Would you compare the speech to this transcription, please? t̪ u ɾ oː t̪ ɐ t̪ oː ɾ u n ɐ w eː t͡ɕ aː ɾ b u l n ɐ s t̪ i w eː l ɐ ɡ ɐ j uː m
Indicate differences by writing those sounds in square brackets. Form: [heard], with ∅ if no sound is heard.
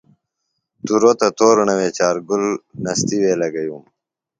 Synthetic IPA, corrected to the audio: t̪ u ɾ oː t̪ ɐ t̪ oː ɾ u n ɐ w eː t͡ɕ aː ɾ [ɡ] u l n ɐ s t̪ i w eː l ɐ ɡ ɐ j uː m